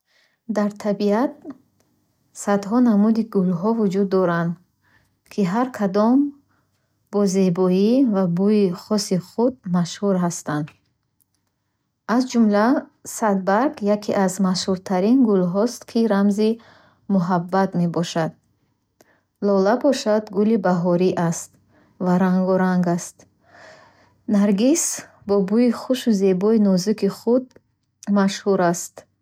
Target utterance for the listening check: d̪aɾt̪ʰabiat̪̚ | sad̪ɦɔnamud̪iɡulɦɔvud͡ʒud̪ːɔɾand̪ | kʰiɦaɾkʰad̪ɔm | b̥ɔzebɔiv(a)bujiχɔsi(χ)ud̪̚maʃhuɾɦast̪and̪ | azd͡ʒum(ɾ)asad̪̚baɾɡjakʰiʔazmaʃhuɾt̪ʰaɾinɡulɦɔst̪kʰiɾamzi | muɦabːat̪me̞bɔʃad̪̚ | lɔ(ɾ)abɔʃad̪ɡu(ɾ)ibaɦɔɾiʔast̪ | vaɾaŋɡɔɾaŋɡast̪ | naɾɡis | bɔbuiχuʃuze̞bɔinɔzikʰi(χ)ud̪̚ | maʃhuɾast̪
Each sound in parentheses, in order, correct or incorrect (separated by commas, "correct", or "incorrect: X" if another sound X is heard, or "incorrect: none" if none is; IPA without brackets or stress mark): correct, correct, incorrect: l, incorrect: l, incorrect: l, correct